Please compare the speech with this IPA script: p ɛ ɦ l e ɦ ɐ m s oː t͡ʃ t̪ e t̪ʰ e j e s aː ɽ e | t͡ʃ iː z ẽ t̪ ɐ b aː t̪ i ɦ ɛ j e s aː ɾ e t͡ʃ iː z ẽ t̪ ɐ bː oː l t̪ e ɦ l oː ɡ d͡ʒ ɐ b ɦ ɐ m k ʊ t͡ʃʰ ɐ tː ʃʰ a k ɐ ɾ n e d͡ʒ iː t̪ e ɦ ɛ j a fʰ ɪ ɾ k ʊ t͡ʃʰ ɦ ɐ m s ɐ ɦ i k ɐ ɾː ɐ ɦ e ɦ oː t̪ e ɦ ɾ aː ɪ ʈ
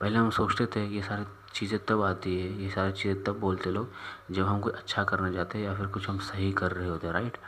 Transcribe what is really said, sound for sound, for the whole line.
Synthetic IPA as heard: p ɛ ɦ l e ɦ ɐ m s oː t͡ʃ t̪ e t̪ʰ e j e s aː ɾ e | t͡ʃ iː z ẽ t̪ ɐ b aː t̪ i ɦ ɛ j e s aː ɾ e t͡ʃ iː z ẽ t̪ ɐ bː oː l t̪ e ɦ l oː ɡ d͡ʒ ɐ b ɦ ɐ m k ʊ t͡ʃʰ ɐ tː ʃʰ a k ɐ ɾ n a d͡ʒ aː t̪ e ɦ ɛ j a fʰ ɪ ɾ k ʊ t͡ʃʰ ɦ ɐ m s ɐ ɦ i k ɐ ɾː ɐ ɦ e ɦ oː t̪ e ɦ ɾ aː ɪ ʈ